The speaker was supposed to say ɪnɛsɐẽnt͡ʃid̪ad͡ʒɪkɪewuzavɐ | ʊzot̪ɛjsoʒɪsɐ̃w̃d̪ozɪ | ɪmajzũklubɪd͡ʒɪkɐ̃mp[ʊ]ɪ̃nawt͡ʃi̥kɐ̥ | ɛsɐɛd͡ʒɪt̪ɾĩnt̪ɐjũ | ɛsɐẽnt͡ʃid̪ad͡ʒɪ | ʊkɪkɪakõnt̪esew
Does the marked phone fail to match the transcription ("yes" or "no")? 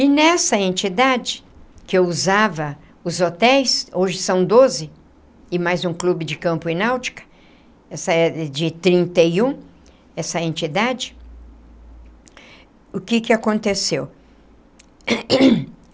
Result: no